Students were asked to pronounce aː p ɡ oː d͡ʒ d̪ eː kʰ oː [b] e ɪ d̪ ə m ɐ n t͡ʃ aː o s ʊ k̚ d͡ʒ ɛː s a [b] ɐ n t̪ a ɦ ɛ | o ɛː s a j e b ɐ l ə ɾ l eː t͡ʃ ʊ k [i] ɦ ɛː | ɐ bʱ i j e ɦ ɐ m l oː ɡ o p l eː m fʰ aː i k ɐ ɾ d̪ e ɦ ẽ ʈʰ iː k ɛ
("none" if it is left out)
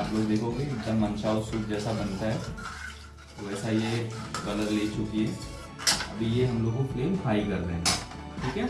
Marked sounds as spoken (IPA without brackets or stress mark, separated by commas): ɡ, b, i